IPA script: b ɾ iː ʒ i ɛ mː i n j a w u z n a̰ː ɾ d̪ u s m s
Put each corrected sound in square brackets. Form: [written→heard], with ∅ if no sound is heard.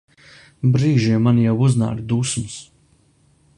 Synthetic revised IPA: b ɾ iː ʒ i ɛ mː [i→a] n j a w u z n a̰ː ɾ d̪ u s m s

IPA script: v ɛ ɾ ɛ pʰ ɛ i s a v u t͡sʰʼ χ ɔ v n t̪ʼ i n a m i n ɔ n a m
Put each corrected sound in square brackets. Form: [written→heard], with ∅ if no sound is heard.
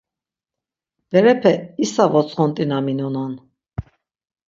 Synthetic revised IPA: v ɛ ɾ ɛ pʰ ɛ i s a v [u→ɔ] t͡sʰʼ χ ɔ [v→∅] n t̪ʼ i n a m i n ɔ n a [m→n]

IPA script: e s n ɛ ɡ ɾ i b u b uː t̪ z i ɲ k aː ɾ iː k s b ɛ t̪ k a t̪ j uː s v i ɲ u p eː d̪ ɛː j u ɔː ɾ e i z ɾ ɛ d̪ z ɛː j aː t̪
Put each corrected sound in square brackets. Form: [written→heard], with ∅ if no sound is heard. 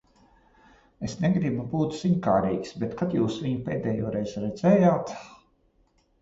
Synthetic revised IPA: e s n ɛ ɡ ɾ i b u b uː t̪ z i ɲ k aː ɾ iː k s b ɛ t̪ k a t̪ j uː s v i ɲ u p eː d̪ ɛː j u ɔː ɾ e [i→j] z ɾ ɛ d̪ z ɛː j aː t̪

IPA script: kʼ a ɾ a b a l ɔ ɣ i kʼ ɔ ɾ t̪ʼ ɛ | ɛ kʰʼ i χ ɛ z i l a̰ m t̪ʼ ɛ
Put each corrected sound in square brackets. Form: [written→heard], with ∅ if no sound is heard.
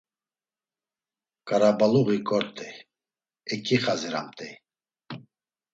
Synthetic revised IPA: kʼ a ɾ a b a l [ɔ→u] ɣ i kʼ ɔ ɾ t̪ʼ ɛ | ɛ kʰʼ i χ [ɛ→a] z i [l→ɾ] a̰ m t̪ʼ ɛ

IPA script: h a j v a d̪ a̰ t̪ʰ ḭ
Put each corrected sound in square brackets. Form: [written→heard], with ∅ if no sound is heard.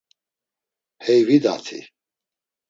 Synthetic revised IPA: h [a→ɛ] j v [a→i] d̪ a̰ t̪ʰ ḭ

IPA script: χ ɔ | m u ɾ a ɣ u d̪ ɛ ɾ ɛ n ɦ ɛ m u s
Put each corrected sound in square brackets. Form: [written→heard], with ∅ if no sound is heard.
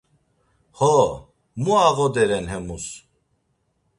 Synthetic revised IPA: [χ→h] ɔ | m u [ɾ→∅] a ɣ [u→ɔ] d̪ ɛ ɾ ɛ n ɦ ɛ m u s

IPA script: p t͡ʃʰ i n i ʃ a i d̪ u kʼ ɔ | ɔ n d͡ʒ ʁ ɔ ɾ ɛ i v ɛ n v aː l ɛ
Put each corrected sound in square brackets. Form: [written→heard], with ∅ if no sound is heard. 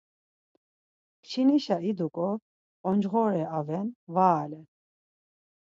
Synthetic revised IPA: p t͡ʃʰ i n i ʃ a i d̪ u kʼ ɔ | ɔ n d͡ʒ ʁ ɔ ɾ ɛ [i→a] v ɛ n v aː l ɛ

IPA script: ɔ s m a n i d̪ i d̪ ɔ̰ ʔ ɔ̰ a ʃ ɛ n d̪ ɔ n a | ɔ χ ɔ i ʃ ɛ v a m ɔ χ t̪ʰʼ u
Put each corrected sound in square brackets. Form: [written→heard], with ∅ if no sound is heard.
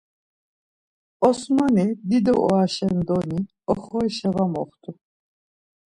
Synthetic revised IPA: ɔ s m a n i d̪ i d̪ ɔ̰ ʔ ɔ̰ a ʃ ɛ n d̪ ɔ n [a→i] | ɔ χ ɔ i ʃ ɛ v a m ɔ χ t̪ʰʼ u

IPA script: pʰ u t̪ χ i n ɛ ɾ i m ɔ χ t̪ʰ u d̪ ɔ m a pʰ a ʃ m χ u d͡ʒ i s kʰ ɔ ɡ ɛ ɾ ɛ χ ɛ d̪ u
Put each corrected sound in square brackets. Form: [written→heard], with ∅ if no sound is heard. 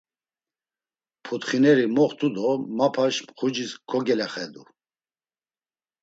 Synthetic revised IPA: pʰ u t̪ χ i n ɛ ɾ i m ɔ χ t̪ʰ u d̪ ɔ m a pʰ a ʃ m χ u d͡ʒ i s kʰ ɔ ɡ ɛ [ɾ→l] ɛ χ ɛ d̪ u

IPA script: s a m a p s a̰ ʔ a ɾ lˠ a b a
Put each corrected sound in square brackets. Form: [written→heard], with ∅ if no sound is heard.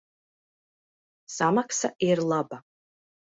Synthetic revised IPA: s a m a [p→k] s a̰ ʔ [a→i] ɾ lˠ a b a

